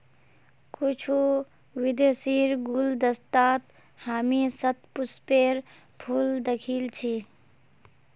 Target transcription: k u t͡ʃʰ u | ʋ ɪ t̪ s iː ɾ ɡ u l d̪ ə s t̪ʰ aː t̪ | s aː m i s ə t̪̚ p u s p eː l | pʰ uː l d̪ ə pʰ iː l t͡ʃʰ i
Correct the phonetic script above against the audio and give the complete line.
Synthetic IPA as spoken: k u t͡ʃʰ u | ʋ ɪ d̪ s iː ɾ ɡ u l d̪ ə s t̪ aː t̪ | h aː m i s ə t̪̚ p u s p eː ɾ | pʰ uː l d̪ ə kʰ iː l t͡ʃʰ i